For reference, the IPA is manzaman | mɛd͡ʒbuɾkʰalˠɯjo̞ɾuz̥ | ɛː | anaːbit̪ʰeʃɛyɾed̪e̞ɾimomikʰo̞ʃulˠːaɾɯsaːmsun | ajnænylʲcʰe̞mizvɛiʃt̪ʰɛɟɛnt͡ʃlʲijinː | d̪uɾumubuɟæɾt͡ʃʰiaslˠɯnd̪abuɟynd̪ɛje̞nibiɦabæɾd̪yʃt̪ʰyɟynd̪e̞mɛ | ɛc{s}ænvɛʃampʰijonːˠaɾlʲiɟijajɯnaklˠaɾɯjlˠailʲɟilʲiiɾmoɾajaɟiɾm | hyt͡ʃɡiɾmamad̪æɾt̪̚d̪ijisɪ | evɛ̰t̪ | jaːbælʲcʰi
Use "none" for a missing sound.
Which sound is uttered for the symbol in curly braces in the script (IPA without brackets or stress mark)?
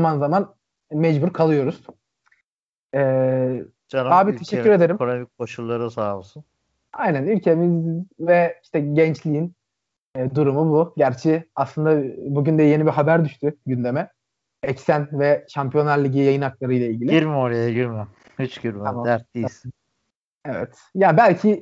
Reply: s